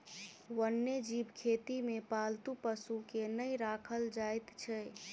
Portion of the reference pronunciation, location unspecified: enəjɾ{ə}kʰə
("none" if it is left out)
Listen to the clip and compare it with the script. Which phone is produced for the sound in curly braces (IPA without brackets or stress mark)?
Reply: a